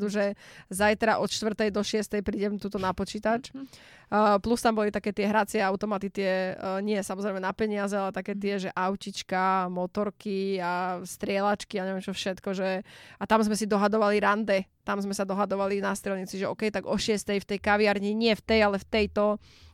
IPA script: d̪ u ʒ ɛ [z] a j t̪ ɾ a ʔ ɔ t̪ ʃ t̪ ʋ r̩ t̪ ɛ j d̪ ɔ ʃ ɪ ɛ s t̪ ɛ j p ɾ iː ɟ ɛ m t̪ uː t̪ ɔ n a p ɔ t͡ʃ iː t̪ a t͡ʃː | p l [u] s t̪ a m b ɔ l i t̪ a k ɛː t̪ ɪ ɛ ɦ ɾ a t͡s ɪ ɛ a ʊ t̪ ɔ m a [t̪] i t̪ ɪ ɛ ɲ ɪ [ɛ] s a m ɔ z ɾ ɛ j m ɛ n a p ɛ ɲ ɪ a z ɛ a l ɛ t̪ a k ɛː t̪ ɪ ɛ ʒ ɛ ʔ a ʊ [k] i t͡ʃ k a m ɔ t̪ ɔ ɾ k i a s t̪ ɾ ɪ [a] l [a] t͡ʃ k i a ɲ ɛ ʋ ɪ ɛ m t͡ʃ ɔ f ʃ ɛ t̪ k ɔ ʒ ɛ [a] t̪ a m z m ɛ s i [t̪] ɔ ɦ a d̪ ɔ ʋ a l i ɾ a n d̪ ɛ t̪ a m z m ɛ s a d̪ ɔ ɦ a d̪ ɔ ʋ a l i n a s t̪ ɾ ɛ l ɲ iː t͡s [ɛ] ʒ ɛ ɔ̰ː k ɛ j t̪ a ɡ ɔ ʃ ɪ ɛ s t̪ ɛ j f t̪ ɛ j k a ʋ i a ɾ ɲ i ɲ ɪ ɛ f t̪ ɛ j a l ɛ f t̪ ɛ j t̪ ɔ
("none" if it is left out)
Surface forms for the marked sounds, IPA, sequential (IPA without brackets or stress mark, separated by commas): z, u, t̪, ɛ, c, ɛ, a, a, d̪, i